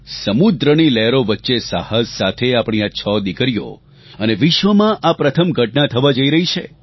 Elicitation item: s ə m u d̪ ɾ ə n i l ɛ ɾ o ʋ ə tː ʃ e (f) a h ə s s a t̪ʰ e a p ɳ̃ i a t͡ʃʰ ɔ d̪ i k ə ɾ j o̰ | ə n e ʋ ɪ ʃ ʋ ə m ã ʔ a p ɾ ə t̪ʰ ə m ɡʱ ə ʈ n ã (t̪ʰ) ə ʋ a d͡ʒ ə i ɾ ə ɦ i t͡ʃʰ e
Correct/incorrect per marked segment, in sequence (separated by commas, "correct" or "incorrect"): incorrect, correct